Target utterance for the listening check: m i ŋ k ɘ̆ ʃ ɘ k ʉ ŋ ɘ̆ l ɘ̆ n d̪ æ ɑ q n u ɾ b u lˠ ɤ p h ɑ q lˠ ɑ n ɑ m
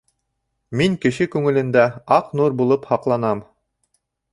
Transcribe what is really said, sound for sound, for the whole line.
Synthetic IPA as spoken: m i ŋ k ɘ̆ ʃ ɘ k ʉ ŋ ɘ̆ l ɘ̆ n d̪ æ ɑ q n u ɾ b u lˠ ɤ p h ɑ q lˠ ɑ n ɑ m